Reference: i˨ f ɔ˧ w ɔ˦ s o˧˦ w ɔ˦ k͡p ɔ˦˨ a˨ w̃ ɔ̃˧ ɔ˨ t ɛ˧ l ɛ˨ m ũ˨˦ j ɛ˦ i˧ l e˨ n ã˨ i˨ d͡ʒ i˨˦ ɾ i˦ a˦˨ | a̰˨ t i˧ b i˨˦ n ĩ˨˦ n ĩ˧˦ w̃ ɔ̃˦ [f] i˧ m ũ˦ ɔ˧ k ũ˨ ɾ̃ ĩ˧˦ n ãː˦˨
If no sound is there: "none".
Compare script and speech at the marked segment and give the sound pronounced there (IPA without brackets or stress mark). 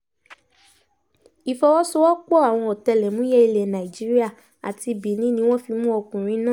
f